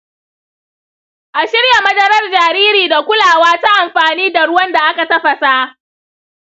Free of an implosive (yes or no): yes